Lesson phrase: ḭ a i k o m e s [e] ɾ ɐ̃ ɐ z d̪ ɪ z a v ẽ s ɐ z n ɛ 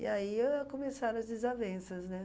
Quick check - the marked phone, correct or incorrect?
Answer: incorrect